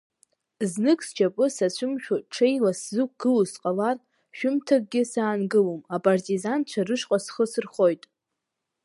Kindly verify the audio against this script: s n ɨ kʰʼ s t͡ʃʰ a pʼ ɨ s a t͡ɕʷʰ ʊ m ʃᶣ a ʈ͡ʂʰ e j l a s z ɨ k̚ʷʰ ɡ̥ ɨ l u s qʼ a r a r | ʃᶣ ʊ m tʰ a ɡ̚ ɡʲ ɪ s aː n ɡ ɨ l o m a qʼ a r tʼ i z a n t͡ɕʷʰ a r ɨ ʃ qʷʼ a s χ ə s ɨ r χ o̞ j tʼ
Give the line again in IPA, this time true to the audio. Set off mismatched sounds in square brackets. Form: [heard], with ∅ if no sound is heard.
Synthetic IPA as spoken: [z] n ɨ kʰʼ s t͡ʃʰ a pʼ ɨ s a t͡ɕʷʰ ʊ m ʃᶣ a ʈ͡ʂʰ e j l a s z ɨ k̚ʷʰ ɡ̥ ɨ l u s qʼ a [l] a r | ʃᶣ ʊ m tʰ a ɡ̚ ɡʲ ɪ s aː n ɡ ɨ l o m a [pʼ] a r tʼ i z a n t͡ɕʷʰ a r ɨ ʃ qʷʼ a s χ ə s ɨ r χ o̞ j tʼ